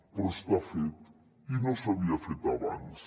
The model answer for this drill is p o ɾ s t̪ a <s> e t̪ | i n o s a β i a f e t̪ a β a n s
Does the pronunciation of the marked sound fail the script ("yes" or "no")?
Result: yes